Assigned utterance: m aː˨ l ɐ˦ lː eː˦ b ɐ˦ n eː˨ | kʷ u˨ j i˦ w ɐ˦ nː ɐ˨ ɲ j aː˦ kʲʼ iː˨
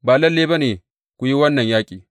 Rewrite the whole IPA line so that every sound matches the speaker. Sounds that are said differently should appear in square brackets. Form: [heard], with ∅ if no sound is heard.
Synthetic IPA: [b] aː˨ l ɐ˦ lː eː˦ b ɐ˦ n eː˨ | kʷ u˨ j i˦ w ɐ˦ nː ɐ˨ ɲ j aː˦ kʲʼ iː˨